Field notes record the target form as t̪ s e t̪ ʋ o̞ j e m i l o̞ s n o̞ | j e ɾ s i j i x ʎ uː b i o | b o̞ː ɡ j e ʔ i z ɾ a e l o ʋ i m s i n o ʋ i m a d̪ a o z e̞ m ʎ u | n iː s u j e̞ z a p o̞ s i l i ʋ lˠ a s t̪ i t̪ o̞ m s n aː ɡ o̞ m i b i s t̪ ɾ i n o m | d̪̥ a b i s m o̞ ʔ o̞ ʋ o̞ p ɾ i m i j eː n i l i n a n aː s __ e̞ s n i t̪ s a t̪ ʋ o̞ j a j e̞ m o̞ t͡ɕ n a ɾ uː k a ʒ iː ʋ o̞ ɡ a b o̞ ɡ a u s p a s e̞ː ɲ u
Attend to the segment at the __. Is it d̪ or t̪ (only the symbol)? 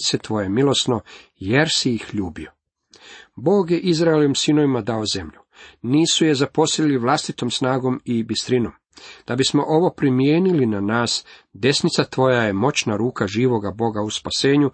d̪